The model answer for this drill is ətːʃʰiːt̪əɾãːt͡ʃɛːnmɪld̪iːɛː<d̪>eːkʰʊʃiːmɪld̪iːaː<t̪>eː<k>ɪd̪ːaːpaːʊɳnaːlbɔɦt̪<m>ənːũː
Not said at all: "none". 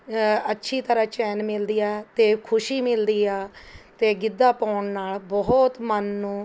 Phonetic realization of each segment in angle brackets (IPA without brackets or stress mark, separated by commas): t̪, t̪, ɡ, m